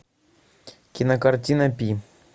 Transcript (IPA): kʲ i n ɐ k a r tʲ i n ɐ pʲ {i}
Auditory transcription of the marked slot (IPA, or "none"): i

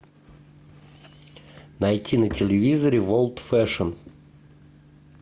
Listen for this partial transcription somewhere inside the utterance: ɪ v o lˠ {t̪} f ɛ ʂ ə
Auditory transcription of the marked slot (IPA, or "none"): t̪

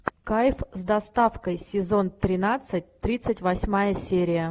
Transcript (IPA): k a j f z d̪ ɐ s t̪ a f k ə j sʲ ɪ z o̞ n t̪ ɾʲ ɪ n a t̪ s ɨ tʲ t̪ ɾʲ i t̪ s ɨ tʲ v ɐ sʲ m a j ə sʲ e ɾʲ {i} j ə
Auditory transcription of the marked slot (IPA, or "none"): ɪ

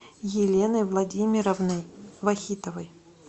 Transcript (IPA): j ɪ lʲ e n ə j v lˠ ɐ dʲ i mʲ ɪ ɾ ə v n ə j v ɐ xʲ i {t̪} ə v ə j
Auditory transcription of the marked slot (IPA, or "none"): t̪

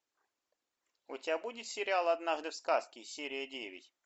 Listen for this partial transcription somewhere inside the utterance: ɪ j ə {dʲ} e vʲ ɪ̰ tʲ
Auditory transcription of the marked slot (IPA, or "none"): dʲ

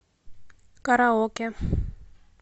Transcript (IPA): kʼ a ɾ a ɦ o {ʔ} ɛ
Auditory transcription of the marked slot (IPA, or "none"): k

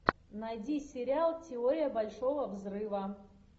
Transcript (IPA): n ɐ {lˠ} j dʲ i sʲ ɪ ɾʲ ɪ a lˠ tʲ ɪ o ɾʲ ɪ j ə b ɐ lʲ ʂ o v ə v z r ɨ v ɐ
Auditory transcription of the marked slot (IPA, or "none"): none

